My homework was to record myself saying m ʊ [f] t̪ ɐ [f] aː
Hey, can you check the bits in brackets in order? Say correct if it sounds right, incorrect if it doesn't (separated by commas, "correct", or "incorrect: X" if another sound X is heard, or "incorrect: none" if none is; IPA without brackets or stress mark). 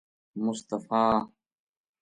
incorrect: s, correct